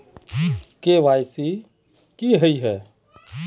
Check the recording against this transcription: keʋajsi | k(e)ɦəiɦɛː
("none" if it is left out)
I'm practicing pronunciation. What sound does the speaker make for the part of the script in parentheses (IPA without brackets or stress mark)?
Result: i